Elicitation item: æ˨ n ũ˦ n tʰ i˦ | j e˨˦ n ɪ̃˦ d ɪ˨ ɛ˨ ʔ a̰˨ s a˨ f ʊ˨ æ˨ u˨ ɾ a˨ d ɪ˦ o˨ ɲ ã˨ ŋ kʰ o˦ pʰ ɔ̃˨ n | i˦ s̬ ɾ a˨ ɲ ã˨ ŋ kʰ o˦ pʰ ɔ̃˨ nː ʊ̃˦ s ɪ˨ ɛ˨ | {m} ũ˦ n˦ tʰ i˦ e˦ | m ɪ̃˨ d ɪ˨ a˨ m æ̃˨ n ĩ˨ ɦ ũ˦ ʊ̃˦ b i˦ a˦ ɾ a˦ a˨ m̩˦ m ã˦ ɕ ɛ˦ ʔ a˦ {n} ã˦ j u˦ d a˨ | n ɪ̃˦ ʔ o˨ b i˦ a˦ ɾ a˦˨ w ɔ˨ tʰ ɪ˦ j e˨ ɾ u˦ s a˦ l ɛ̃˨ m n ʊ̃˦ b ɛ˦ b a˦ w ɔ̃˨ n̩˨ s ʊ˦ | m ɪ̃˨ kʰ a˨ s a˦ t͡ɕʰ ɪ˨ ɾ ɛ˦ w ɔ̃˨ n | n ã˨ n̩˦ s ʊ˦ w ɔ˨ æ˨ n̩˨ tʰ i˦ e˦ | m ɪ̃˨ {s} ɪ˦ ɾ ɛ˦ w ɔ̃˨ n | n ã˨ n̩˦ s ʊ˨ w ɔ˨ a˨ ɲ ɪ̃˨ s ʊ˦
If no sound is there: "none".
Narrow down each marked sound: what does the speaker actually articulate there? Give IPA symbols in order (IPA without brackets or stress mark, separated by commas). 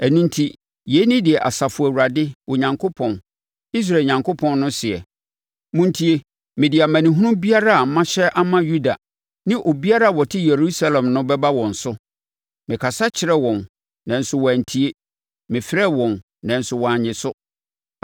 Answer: m, m, f